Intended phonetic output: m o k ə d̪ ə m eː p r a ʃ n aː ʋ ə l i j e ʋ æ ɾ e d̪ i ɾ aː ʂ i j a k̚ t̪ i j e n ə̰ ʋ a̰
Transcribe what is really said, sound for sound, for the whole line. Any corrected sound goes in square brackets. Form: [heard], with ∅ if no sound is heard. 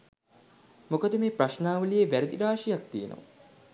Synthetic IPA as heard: m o k ə d̪ ə m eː p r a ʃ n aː ʋ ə l i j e ʋ æ ɾ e d̪ i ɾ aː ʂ i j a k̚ t̪ i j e n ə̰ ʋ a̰